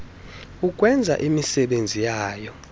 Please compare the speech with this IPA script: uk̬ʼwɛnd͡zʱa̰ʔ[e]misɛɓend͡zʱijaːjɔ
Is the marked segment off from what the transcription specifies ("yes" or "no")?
yes